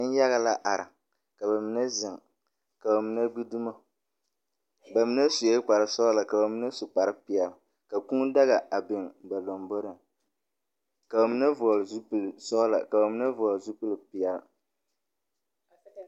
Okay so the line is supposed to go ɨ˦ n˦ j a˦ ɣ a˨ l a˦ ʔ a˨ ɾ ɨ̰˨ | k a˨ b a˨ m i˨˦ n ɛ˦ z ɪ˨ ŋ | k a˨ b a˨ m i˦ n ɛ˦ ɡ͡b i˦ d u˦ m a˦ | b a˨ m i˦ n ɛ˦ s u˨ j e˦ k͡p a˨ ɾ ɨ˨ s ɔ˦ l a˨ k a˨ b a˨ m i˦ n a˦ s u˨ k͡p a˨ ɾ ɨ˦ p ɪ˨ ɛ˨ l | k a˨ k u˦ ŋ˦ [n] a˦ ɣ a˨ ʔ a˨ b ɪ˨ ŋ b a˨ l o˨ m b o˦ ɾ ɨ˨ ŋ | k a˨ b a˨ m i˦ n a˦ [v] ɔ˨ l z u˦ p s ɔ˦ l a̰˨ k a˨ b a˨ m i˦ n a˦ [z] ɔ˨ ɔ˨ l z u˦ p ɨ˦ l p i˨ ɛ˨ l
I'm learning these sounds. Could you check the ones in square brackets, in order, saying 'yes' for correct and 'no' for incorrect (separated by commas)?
no, yes, no